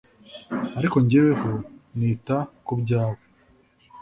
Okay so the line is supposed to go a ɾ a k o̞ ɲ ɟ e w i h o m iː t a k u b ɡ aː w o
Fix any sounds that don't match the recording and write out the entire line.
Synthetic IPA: a ɾ i k o̞ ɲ ɟ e w e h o n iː t a k u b ɟ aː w o